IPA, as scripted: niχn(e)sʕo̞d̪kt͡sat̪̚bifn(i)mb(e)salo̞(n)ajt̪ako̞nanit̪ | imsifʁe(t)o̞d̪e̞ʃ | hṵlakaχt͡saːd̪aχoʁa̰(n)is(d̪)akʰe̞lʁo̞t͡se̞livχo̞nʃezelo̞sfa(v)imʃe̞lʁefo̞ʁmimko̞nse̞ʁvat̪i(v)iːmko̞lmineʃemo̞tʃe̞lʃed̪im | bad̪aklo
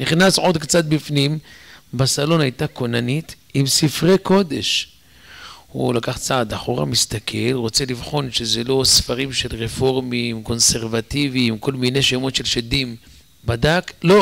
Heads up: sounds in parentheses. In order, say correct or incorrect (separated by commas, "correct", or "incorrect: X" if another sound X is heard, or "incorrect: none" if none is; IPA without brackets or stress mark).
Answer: incorrect: a, correct, incorrect: a, correct, incorrect: k, incorrect: m, incorrect: t̪, incorrect: ʁ, correct